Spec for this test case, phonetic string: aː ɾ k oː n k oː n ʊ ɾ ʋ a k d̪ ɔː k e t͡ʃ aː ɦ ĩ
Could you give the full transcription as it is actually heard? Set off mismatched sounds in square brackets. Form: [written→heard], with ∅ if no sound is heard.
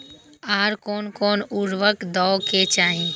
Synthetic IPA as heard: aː ɾ k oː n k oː n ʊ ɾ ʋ [a→ə] k d̪ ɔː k e t͡ʃ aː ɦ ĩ